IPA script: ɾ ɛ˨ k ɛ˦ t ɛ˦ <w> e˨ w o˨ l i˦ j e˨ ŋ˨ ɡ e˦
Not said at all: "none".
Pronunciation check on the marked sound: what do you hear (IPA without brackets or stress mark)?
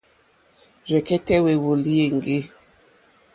w